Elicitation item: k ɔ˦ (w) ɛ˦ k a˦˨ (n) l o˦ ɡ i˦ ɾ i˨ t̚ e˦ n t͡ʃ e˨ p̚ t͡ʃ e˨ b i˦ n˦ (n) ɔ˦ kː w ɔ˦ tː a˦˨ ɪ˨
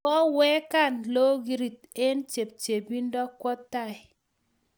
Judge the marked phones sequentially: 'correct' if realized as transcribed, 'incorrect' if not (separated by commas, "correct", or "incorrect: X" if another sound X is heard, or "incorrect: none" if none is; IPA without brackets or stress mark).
correct, correct, incorrect: d